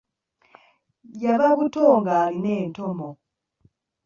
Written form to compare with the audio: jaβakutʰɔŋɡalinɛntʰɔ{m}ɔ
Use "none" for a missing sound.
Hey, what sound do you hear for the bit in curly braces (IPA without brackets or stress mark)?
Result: m